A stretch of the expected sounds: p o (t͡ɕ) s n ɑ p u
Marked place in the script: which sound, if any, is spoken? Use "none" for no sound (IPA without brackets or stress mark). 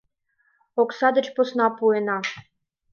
none